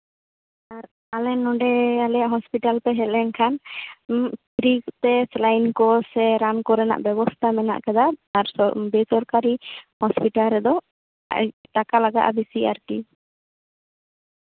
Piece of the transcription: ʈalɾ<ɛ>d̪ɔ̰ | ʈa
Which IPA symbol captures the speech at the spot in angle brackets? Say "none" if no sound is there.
ɛ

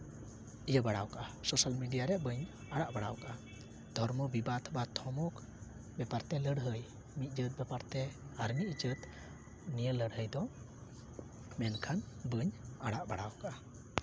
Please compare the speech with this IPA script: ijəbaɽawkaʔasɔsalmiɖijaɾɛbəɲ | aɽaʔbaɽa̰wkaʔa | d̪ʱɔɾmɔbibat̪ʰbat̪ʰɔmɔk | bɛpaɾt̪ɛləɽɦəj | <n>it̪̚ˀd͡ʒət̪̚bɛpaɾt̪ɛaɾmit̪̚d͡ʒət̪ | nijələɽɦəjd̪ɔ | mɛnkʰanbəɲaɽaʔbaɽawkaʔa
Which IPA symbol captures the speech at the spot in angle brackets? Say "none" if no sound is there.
m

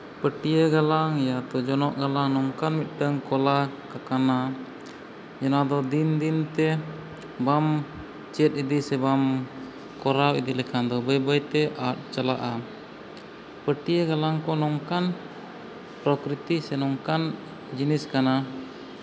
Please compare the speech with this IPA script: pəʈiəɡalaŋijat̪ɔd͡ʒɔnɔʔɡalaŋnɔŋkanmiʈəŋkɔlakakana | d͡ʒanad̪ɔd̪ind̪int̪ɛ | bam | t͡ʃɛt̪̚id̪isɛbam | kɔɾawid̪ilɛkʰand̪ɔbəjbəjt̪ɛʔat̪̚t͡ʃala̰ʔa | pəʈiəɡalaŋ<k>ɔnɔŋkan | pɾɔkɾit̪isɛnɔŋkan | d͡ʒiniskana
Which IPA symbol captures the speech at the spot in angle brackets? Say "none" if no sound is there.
k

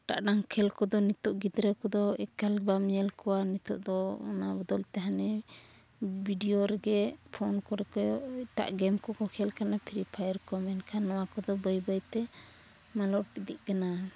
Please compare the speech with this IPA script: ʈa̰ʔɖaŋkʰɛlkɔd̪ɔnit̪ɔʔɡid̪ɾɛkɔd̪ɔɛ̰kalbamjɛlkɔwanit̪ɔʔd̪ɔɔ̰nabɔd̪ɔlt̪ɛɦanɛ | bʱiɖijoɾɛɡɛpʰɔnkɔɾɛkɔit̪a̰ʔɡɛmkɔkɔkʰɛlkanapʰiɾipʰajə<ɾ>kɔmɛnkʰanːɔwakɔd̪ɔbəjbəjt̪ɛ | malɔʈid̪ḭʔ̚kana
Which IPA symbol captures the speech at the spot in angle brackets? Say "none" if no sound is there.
ɾ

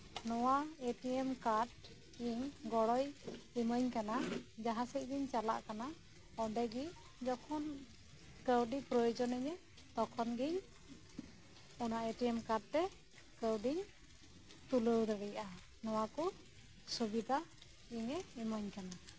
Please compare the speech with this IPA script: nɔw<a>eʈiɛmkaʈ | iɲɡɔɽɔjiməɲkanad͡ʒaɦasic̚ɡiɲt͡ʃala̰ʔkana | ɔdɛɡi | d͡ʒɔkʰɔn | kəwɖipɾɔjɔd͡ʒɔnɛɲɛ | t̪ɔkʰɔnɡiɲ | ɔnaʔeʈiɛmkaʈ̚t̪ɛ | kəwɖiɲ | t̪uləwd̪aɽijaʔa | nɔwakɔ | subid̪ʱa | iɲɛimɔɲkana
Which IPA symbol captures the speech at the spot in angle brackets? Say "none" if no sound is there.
a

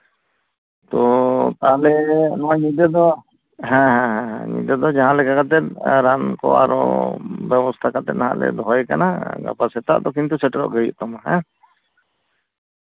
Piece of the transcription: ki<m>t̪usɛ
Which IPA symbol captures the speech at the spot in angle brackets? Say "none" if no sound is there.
n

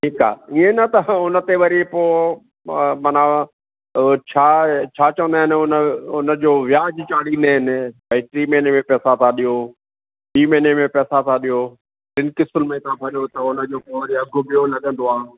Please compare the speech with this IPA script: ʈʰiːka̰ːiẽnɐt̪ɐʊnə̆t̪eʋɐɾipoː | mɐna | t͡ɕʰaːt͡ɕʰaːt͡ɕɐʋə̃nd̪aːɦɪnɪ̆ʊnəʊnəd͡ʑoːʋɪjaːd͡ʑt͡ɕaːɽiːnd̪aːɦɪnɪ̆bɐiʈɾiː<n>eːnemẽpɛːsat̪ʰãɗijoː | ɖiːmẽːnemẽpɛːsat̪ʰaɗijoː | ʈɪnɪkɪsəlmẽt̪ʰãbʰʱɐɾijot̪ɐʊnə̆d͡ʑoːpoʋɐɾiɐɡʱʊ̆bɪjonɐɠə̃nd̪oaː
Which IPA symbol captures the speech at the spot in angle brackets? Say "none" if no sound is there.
m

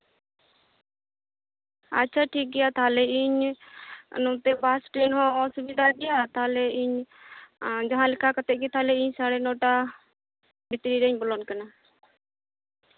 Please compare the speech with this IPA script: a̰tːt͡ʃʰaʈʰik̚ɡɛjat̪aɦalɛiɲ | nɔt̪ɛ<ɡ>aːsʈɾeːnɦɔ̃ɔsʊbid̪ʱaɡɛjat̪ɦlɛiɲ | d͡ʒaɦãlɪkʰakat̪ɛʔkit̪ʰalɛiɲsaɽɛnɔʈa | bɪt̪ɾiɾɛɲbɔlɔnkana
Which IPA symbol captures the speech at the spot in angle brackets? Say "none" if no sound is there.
b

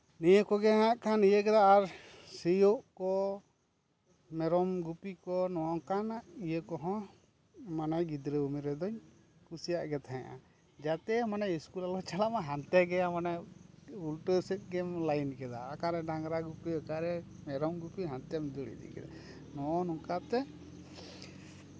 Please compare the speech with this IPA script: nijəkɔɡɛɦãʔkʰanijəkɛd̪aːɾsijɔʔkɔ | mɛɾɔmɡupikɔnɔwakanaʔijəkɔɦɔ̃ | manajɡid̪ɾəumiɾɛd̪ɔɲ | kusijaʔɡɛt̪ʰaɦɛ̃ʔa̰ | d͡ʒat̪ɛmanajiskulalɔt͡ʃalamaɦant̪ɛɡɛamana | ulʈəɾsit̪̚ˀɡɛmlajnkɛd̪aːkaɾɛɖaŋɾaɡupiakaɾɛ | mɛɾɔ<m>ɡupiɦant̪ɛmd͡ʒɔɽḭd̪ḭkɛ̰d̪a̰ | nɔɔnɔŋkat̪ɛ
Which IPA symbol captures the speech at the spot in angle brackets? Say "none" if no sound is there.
m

